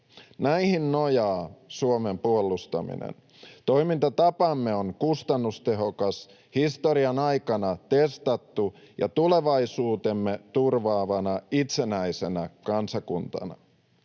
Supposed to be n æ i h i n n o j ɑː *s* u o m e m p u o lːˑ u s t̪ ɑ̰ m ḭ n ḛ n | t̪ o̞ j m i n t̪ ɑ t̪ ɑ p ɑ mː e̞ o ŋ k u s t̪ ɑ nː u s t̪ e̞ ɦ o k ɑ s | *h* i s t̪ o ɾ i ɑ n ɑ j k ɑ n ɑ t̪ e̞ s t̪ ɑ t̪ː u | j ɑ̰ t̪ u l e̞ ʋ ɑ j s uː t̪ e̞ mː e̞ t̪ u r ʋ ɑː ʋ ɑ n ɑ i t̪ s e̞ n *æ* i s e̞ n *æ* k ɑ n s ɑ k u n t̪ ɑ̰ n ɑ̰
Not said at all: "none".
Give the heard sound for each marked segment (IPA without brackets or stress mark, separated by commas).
s, h, æ, æ